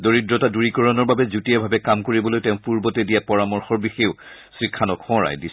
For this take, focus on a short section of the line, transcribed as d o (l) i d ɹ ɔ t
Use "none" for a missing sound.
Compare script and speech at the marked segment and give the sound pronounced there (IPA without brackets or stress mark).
ɹ